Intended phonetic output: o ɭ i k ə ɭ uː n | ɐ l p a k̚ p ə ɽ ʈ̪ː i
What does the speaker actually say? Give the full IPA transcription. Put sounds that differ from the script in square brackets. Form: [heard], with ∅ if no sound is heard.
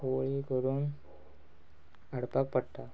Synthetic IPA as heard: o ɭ i k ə [ɾ] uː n | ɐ [ɽ] p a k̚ p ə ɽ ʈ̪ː [a]